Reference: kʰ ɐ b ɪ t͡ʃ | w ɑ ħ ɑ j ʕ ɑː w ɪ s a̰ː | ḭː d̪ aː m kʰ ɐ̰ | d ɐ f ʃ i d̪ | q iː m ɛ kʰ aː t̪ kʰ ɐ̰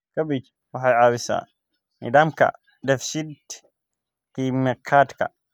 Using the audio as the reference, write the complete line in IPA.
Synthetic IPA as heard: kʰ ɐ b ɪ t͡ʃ | w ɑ ħ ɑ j ʕ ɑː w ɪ s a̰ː | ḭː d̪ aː m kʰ ɐ̰ | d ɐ f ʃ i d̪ | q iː m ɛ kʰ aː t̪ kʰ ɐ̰